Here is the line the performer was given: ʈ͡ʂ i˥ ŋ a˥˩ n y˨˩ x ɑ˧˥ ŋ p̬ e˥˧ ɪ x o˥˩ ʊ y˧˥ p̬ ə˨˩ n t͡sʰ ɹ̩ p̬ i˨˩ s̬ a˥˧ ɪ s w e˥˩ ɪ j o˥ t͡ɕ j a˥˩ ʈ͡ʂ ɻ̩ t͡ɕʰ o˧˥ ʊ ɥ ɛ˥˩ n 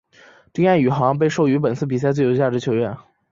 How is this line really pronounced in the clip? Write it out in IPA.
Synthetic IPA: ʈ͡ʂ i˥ ŋ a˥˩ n y˨˩ x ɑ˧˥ ŋ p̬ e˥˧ ɪ ʂ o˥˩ ʊ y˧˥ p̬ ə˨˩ n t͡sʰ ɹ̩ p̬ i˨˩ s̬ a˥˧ ɪ t͡s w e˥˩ ɪ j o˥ t͡ɕ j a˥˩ ʈ͡ʂ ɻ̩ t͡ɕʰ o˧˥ ʊ ɥ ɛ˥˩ n